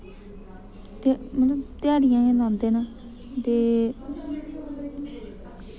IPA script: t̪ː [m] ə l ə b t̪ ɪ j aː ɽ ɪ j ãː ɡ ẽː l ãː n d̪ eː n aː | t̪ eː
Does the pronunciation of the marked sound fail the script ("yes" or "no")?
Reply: no